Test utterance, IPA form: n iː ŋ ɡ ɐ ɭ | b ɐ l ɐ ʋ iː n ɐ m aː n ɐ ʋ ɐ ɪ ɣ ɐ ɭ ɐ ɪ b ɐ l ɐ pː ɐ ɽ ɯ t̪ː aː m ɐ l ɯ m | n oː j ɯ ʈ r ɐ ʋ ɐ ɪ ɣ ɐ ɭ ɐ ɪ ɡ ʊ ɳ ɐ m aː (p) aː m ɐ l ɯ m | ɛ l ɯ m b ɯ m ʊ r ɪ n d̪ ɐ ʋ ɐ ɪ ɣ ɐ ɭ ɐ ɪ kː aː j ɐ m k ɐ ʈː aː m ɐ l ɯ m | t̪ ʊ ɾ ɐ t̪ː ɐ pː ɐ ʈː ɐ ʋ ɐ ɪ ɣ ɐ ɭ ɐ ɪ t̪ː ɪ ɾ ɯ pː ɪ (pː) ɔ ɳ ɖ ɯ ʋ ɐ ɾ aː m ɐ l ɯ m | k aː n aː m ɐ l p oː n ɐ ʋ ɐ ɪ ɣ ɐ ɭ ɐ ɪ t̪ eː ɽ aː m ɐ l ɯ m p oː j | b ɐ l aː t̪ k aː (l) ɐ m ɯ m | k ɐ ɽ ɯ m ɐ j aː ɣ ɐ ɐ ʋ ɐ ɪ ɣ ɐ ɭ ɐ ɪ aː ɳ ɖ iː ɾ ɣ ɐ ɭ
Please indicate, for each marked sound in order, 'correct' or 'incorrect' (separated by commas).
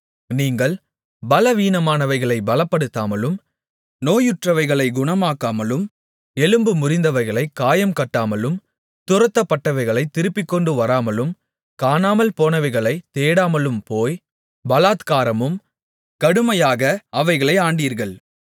incorrect, incorrect, incorrect